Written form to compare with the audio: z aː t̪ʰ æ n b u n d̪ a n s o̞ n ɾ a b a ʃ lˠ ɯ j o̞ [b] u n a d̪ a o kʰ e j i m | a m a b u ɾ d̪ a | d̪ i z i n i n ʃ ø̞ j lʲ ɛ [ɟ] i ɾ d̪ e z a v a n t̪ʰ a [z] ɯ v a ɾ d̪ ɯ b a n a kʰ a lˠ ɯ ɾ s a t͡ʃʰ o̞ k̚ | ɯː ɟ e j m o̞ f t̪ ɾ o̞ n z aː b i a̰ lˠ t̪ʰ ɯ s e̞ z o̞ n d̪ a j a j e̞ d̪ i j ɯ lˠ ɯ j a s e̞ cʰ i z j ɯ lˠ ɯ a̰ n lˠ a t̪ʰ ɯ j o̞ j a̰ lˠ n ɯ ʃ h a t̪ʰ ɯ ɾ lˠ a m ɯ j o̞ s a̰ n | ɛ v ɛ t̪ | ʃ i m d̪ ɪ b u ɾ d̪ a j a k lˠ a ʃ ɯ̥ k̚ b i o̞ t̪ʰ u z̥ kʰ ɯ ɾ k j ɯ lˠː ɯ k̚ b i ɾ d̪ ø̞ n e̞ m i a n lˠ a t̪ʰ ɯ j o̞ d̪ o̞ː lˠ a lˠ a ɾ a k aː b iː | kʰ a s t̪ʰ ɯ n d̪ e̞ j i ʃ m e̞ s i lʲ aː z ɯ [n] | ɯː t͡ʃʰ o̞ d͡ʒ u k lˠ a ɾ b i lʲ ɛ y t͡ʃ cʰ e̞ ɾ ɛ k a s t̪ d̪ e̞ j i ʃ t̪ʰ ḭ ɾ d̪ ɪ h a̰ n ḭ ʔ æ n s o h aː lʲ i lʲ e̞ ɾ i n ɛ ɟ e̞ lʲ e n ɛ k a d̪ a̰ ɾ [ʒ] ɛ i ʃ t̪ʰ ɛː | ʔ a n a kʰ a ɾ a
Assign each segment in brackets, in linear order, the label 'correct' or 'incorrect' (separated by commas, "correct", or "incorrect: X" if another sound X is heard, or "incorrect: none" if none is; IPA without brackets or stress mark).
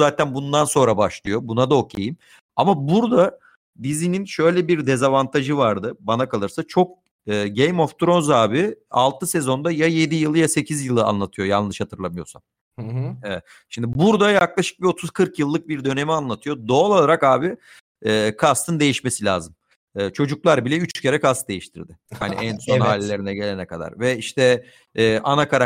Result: correct, incorrect: b, incorrect: ʒ, incorrect: m, incorrect: v